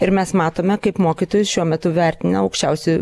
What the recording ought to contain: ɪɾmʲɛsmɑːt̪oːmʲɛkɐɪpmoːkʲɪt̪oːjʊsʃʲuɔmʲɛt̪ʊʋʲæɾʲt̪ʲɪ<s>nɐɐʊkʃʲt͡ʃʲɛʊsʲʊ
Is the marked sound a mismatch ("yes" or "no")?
yes